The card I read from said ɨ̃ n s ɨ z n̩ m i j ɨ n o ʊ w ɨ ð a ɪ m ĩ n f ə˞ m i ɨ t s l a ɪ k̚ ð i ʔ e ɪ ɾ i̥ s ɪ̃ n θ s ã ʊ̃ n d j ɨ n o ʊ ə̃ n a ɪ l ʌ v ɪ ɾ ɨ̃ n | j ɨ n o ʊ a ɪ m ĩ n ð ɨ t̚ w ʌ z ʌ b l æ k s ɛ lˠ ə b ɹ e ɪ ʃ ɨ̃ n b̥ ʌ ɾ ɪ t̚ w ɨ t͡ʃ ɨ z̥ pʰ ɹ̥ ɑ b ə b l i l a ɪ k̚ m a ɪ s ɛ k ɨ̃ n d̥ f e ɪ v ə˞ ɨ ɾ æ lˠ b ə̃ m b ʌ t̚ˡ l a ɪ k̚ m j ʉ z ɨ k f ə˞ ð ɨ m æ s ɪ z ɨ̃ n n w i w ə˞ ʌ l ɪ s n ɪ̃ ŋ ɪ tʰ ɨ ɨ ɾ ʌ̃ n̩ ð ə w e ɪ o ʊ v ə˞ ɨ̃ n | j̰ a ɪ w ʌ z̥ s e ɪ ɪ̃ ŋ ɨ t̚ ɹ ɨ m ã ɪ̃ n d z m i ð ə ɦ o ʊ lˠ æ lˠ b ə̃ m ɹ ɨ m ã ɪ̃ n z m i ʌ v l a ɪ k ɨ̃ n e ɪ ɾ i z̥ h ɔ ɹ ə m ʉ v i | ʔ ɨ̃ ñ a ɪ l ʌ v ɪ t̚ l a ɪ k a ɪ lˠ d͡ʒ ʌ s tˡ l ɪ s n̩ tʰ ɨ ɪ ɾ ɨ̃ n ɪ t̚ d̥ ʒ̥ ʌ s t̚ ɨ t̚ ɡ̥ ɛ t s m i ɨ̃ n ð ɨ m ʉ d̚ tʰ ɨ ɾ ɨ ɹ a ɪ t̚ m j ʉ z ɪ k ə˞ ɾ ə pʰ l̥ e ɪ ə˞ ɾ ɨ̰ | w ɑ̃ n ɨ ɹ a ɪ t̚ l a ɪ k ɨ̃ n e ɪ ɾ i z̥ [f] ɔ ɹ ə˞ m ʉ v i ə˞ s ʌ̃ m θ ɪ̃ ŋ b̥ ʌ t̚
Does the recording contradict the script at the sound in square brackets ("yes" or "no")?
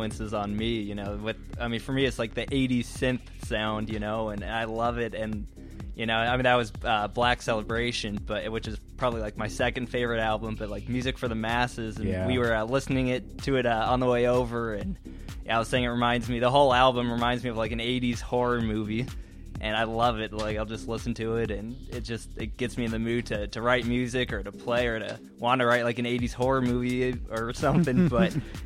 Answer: yes